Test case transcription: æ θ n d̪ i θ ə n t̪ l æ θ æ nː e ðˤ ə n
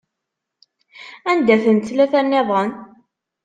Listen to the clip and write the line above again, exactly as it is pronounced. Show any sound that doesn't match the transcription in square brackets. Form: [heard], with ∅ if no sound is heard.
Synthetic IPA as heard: æ [∅] n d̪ [æ] θ ə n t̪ l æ θ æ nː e ðˤ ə n